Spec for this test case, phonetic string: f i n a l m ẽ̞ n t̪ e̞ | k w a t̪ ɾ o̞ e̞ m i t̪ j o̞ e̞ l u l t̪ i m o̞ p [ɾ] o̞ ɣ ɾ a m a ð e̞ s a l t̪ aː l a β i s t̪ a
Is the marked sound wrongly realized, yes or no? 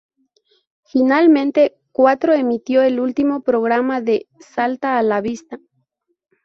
no